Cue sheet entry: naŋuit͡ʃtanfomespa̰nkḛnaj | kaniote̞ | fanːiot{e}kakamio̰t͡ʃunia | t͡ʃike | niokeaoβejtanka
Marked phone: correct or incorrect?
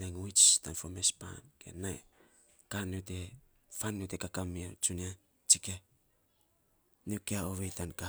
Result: correct